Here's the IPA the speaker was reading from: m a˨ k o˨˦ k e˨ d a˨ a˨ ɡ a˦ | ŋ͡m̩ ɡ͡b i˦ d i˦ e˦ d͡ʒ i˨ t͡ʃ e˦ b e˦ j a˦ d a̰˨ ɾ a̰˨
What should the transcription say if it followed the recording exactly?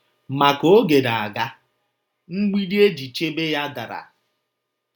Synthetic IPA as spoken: m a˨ k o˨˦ ɡ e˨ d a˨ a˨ ɡ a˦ | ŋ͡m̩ ɡ͡b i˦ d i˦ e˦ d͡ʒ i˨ t͡ʃ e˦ b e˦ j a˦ d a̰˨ ɾ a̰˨